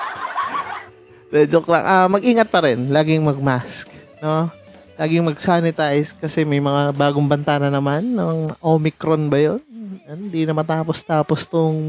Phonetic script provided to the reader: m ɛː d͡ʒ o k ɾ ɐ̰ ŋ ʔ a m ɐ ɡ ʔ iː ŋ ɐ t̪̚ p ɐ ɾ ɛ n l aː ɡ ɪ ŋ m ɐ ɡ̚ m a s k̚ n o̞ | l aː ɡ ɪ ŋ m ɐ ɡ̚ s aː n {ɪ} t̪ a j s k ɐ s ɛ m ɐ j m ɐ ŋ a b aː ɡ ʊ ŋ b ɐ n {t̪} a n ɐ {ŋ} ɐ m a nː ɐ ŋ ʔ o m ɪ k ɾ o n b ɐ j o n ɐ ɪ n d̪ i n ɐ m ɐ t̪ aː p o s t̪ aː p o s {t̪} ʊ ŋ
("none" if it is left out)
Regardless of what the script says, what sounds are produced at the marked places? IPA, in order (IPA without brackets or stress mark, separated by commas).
ɪ, t̪, n, t̪